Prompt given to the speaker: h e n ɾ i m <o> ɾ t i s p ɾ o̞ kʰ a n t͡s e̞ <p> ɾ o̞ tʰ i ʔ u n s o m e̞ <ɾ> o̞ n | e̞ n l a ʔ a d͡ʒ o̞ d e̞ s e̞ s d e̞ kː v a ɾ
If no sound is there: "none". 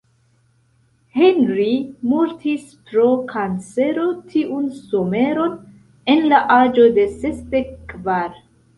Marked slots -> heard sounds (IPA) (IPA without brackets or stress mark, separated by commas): u, none, ɾ